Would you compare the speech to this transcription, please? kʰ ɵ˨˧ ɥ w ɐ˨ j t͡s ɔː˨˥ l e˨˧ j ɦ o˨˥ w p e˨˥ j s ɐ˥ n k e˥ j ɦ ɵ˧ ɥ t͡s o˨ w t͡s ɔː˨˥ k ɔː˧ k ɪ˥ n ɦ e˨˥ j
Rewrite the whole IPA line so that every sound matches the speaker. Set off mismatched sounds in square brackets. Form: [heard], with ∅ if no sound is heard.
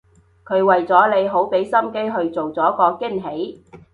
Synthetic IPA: kʰ ɵ˨˧ ɥ w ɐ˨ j t͡s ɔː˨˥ l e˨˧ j ɦ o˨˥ w p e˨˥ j s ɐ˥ [m] k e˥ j ɦ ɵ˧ ɥ t͡s o˨ w t͡s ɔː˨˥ k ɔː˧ k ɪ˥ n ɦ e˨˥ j